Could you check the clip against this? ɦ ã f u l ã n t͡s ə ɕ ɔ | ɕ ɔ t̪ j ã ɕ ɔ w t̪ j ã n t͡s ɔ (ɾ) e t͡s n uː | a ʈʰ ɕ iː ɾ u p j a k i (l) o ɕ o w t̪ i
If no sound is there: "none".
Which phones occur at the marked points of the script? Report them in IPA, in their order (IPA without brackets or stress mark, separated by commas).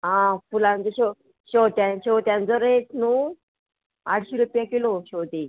ɾ, l